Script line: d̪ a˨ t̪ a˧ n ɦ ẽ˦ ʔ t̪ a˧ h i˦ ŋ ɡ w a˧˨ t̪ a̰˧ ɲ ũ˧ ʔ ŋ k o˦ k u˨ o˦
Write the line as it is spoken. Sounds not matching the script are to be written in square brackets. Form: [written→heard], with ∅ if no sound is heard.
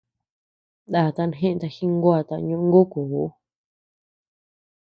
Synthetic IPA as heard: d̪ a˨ t̪ a˧ n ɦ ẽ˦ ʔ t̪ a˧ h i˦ ŋ ɡ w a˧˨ t̪ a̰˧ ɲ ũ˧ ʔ ŋ [k→ɡ] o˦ k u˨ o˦